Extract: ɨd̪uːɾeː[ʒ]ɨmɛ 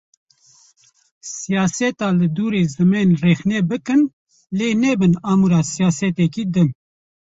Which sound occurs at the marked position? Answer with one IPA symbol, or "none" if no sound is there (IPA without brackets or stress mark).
z